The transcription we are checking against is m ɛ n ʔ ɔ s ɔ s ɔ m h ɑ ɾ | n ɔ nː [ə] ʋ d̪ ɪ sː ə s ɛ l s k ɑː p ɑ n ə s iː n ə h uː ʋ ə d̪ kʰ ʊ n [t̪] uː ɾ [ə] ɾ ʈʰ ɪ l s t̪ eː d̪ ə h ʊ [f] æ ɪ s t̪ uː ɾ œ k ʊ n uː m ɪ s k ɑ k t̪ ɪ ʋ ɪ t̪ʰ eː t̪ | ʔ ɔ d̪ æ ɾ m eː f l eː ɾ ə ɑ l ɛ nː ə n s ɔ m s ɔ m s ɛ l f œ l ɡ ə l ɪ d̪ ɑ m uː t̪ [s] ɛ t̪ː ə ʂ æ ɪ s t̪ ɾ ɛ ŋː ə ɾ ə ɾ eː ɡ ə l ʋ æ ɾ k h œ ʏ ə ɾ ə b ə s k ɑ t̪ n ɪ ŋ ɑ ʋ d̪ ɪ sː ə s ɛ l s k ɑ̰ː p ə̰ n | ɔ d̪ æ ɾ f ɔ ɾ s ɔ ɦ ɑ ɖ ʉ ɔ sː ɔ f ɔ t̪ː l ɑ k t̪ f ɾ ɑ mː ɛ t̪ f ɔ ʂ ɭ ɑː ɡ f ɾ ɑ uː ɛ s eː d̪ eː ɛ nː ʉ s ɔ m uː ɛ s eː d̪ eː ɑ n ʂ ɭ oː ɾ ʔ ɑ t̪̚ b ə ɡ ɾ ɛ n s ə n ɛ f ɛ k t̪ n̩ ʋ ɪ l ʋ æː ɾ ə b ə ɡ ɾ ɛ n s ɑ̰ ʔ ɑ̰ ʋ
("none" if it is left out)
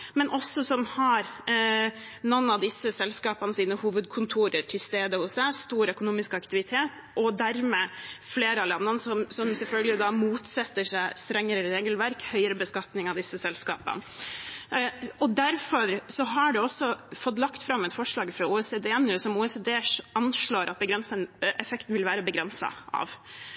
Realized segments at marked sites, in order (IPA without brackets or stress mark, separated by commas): ɑ, t̪ʰ, ə, s, s